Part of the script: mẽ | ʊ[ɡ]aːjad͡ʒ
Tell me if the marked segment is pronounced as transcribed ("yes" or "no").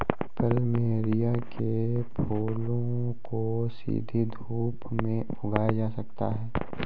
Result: yes